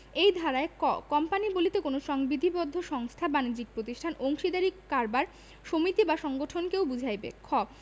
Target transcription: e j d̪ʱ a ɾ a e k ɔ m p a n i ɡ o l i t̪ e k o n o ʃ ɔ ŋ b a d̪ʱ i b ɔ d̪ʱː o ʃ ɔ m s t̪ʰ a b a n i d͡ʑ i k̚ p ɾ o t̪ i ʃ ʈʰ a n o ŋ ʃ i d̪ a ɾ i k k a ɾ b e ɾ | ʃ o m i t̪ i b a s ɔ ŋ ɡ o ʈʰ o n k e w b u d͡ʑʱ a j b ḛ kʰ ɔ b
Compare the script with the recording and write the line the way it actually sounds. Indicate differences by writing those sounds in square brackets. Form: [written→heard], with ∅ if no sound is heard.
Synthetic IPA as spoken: e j d̪ʱ a ɾ a e k ɔ m p a n i [ɡ→b] o l i t̪ e k o n o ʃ ɔ ŋ b [a→i] d̪ʱ i b ɔ d̪ʱː o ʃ ɔ [m→ŋ] s t̪ʰ a b a n i d͡ʑ i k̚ p ɾ o t̪ i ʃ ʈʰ a n o ŋ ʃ i d̪ a ɾ i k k a ɾ b [e→a] ɾ | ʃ o m i t̪ i b a [s→ʃ] ɔ ŋ ɡ o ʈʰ o n k e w b u d͡ʑʱ a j b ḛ kʰ ɔ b